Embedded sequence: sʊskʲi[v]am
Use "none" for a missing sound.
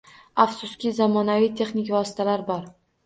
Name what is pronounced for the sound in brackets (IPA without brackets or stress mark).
z